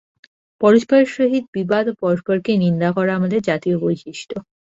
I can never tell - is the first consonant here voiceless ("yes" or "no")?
yes